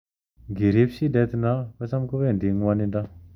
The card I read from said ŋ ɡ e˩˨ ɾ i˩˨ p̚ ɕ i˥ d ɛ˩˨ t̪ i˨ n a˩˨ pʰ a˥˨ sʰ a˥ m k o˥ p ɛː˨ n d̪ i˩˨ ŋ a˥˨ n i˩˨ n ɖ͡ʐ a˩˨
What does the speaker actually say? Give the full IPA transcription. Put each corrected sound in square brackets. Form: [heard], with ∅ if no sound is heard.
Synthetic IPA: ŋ ɡ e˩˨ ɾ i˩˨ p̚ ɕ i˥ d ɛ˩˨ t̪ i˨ n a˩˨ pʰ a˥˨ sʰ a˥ m k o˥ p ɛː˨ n d̪ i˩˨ ŋ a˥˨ n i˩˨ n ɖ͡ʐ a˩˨

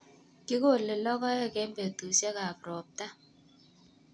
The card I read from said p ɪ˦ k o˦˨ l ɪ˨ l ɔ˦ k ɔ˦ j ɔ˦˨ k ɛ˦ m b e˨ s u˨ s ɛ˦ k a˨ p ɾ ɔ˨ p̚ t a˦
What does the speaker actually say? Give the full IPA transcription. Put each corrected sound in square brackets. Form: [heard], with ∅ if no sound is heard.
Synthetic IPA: [k] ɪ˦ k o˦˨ l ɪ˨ l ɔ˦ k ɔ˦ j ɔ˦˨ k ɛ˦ m b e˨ [t] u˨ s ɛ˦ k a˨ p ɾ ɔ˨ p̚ t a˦

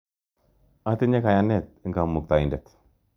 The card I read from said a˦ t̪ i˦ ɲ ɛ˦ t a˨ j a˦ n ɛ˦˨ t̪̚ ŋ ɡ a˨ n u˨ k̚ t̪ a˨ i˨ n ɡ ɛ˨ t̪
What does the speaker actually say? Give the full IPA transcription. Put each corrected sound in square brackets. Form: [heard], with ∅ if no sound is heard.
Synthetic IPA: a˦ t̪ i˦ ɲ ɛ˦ [k] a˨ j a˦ n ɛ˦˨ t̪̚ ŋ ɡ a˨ [m] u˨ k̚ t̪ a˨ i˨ n [d] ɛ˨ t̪

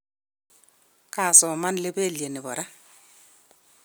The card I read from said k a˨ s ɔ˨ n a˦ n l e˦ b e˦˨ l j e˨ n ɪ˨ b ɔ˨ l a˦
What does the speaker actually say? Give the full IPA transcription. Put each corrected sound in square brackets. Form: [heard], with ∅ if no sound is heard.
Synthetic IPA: k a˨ s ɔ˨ [m] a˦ n l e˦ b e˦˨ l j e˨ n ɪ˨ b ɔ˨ [ɾ] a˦

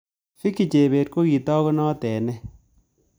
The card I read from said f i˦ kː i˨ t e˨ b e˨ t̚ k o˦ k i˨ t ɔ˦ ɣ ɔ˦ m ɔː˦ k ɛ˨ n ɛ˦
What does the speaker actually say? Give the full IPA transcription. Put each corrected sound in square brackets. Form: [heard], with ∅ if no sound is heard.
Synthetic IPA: f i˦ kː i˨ [t͡ʃ] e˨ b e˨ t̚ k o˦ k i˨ t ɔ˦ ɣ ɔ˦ [n] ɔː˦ [t] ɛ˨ n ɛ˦

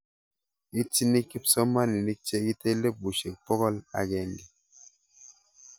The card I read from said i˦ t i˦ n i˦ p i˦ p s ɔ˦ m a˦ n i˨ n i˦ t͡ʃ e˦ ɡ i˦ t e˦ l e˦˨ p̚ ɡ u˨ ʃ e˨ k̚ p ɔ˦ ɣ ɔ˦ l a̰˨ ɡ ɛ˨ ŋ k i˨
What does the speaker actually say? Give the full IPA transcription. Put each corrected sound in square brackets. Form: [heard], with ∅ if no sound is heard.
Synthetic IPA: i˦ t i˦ n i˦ [k] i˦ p s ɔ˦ m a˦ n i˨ n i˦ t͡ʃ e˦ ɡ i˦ t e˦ l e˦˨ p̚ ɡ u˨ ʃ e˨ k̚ p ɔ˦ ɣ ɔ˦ l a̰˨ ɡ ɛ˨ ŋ [ɡ] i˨

